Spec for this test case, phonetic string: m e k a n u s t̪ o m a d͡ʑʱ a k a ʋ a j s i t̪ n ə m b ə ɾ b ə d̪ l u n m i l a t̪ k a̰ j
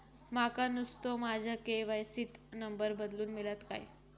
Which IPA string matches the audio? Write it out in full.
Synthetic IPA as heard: m a k a n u s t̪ o m a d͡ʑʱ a k e ʋ a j s i t̪ n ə m b ə ɾ b ə d̪ l uː n m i l a t̪ k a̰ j